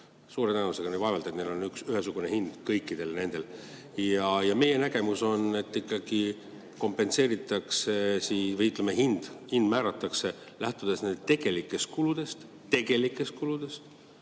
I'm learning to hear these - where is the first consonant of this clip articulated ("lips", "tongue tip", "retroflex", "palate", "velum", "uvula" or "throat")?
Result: tongue tip